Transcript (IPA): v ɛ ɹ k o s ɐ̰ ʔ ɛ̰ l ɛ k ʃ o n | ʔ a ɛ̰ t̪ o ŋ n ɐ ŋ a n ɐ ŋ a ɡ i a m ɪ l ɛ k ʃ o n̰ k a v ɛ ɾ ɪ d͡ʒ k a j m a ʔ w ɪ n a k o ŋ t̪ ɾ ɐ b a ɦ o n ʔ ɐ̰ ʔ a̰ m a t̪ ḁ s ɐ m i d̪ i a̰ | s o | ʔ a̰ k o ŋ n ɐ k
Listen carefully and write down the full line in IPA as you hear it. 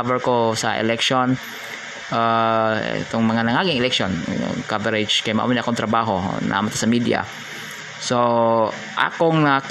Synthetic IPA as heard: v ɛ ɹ k o s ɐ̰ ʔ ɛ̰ l ɛ k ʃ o n | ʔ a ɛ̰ t̪ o ŋ m ɐ ŋ a n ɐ ŋ a ɡ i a ŋ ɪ l ɛ k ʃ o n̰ k a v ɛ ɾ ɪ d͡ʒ k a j m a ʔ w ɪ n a k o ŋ t̪ ɾ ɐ b a ɦ o n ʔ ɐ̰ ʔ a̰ m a t̪ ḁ s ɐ m i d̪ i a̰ | s o | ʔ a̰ k o ŋ n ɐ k